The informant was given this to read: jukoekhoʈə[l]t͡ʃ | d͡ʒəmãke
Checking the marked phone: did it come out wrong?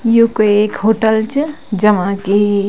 no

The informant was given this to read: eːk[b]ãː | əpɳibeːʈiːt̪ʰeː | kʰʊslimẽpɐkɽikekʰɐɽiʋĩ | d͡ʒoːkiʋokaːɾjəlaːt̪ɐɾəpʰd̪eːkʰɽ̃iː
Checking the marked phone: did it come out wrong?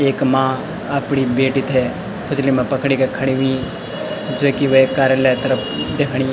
yes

